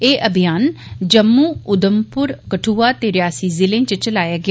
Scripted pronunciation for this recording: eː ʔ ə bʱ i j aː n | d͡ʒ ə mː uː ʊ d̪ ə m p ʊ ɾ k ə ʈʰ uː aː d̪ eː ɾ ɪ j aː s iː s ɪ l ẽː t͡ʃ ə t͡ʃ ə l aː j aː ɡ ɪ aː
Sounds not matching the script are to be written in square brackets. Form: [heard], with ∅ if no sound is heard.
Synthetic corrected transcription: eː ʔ ə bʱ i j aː n | d͡ʒ ə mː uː ʊ d̪ ə m p ʊ ɾ k ə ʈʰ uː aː [t̪] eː ɾ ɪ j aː s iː [z] ɪ l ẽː t͡ʃ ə t͡ʃ ə l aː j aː ɡ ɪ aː